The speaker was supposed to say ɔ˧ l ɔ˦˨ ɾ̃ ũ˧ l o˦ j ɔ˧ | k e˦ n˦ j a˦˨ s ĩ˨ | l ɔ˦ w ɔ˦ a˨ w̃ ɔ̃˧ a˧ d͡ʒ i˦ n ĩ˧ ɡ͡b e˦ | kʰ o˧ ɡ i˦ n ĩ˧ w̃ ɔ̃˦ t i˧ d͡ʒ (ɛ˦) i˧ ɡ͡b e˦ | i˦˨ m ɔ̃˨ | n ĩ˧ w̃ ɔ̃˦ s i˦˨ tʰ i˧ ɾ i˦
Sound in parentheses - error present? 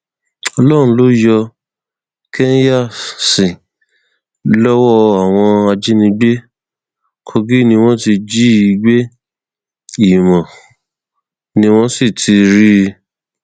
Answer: yes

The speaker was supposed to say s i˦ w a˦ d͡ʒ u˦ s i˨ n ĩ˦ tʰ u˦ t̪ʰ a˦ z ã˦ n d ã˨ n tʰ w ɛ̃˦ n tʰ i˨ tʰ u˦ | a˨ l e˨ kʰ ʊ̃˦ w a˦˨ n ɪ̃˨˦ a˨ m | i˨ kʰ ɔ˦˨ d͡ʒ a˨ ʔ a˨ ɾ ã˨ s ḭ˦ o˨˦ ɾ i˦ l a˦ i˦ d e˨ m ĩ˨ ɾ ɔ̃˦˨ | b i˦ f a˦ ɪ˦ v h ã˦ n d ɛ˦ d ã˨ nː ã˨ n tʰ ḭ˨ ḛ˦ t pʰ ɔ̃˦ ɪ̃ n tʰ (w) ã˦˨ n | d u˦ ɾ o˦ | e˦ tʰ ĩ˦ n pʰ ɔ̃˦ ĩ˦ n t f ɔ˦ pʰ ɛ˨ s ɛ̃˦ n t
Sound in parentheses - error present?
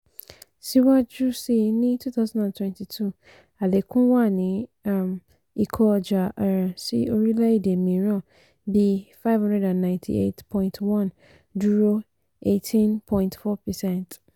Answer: no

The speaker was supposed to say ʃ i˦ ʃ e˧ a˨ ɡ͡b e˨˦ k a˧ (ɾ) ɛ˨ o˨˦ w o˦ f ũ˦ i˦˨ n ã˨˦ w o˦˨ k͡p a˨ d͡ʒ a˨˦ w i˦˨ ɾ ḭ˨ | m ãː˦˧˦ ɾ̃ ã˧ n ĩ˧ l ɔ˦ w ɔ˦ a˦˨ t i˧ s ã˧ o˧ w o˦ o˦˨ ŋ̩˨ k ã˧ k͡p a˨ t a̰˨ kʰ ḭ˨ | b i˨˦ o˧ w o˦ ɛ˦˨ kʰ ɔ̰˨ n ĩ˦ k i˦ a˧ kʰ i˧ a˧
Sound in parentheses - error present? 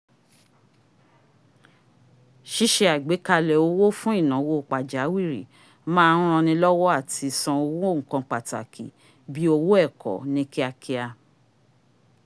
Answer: yes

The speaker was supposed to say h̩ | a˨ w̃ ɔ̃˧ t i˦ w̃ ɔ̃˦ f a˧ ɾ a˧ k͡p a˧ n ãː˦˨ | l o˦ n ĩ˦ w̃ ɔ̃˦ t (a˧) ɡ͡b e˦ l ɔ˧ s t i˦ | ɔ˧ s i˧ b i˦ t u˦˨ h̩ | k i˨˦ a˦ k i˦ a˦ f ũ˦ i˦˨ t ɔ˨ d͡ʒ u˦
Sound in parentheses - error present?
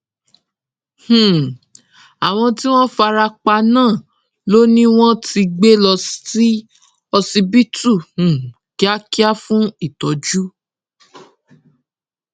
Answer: yes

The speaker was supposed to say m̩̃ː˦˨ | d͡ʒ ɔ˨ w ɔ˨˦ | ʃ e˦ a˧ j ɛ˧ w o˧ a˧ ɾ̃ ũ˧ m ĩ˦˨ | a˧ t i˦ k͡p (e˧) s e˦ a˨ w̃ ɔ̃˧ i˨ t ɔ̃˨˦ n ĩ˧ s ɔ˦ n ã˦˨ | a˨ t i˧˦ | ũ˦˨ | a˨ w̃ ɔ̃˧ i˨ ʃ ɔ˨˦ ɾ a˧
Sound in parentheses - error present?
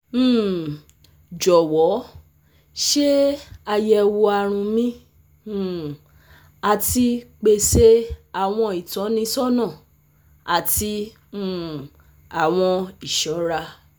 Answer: no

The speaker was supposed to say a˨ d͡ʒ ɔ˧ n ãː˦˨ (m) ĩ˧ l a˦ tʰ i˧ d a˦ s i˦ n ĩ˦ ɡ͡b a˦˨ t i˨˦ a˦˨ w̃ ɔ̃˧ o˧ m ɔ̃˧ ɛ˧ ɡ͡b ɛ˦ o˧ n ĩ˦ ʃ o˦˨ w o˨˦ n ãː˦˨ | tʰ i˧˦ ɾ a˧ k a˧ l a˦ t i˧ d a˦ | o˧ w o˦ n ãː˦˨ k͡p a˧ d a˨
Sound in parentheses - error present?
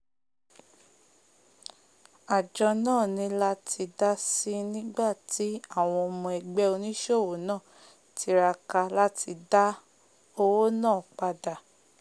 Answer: yes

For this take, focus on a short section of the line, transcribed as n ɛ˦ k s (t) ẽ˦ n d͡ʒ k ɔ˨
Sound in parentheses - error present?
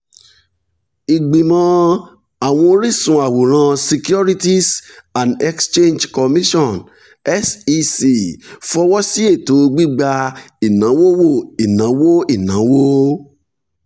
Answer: yes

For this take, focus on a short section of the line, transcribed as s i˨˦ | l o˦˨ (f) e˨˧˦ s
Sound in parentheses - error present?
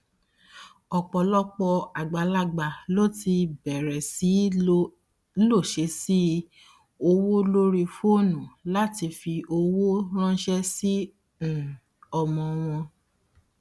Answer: yes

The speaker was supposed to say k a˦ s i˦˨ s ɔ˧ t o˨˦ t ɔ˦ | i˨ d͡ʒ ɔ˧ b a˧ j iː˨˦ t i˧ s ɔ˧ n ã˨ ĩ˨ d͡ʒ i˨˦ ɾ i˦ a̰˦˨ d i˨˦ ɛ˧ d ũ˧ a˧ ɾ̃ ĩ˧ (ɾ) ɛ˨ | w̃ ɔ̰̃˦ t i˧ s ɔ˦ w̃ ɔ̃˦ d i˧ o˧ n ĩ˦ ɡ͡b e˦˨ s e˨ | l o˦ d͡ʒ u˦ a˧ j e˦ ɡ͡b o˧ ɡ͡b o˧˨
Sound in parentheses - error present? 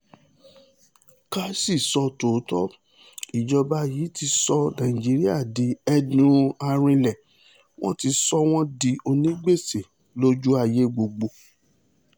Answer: yes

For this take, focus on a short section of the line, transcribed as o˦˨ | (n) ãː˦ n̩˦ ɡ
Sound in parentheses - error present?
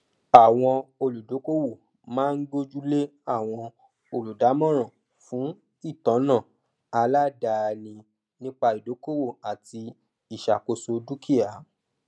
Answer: yes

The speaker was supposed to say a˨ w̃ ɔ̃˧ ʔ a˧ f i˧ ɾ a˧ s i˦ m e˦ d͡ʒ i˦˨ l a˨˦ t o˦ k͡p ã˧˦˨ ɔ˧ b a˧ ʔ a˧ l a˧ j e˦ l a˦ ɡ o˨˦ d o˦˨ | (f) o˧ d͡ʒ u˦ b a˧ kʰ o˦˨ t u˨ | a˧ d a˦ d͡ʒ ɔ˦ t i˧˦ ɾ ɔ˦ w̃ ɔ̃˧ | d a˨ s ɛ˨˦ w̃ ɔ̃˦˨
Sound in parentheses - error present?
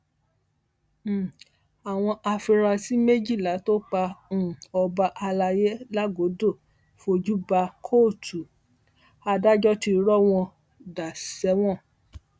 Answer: no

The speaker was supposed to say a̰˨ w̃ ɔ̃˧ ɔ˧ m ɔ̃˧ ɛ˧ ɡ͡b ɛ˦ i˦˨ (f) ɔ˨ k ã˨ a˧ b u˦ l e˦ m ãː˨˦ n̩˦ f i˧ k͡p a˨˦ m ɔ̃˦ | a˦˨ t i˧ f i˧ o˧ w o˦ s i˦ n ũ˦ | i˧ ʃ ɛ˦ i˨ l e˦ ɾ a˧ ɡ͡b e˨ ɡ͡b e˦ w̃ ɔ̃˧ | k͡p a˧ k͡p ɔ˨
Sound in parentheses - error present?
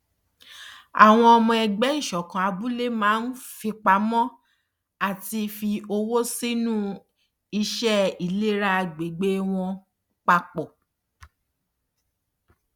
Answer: yes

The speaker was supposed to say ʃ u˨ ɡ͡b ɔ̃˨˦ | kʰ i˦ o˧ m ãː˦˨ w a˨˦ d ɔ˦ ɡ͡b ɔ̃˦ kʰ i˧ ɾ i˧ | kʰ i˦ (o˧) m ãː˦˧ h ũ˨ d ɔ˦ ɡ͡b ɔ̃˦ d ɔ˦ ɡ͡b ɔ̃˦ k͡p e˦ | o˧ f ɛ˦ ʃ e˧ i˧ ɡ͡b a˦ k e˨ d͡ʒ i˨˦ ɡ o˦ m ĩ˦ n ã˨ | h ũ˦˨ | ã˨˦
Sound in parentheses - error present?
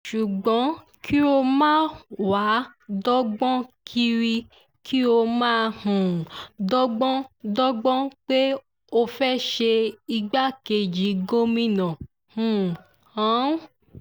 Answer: no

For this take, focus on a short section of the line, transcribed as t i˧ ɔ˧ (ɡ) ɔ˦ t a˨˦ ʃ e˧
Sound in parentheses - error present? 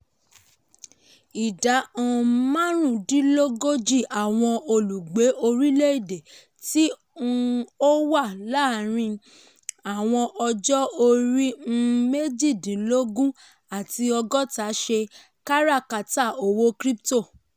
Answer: no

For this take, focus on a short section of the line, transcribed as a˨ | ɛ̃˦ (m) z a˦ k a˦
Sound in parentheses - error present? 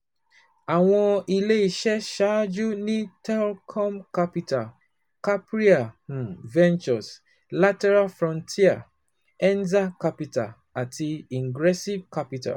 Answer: yes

